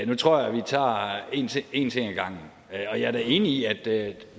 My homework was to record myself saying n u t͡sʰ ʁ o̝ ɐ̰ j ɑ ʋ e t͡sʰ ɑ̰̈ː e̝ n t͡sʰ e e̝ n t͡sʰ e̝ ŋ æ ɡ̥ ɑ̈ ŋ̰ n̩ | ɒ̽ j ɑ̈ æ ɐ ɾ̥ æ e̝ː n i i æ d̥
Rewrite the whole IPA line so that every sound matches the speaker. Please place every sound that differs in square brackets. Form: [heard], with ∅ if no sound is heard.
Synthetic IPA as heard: n u t͡sʰ ʁ o̝ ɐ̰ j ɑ ʋ [i] t͡sʰ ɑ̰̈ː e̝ n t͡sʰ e e̝ n t͡sʰ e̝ ŋ æ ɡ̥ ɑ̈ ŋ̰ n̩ | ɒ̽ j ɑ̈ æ ɐ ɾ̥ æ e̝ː n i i æ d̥